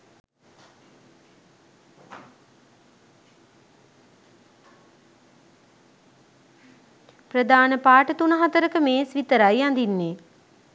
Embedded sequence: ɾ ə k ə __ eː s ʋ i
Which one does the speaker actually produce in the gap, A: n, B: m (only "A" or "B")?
B